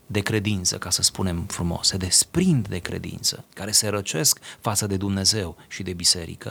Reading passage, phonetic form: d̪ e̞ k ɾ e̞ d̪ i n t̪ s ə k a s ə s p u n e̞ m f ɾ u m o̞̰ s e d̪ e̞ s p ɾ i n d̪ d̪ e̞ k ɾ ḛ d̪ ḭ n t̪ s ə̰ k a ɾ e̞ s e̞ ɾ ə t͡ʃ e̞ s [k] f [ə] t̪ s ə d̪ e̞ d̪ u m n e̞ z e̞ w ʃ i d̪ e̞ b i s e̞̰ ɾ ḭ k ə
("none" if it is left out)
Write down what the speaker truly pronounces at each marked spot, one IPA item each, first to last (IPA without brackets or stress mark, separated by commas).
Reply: k, a